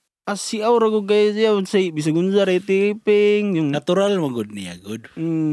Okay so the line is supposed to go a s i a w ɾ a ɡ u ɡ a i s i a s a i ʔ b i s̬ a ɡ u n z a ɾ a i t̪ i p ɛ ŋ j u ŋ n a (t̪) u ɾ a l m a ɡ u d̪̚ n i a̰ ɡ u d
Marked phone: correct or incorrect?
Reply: correct